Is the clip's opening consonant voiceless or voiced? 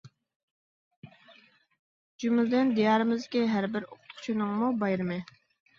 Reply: voiced